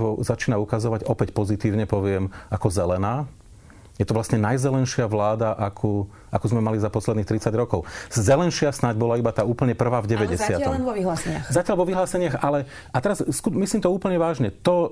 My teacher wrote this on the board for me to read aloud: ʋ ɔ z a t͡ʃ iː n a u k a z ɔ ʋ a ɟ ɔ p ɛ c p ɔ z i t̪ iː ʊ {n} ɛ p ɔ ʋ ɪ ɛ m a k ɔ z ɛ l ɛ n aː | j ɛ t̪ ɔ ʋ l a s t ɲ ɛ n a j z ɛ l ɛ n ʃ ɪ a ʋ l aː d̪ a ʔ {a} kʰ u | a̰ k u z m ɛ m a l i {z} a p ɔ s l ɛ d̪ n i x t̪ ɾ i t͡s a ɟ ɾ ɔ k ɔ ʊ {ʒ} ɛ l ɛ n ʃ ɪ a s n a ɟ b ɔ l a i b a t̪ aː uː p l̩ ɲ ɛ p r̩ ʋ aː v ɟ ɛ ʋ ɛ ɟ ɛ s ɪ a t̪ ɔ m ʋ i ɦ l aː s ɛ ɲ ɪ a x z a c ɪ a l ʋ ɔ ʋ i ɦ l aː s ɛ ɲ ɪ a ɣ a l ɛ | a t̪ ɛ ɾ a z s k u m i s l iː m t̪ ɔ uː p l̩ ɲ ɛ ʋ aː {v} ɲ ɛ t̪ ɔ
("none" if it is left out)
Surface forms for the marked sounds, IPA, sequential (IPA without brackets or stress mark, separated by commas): ɲ, a, z, z, ʒ